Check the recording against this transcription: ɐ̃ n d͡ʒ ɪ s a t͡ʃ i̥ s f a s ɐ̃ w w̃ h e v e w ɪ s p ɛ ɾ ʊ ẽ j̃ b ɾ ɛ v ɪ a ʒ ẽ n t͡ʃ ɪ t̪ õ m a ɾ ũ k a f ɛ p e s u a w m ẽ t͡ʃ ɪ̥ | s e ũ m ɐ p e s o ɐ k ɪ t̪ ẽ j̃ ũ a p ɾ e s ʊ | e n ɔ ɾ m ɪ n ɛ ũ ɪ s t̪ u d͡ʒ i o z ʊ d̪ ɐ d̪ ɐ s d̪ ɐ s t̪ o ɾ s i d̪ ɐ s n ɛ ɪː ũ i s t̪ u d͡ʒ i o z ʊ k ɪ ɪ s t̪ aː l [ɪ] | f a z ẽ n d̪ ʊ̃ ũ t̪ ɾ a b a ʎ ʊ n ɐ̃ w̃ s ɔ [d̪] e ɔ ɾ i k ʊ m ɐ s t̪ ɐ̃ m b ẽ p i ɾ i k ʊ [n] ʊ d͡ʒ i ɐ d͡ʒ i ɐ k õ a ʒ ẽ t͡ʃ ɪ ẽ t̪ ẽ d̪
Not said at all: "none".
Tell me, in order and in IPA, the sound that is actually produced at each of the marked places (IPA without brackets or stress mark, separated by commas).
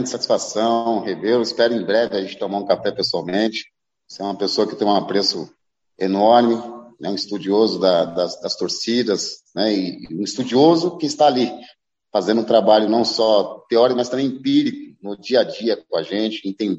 i, t̪, n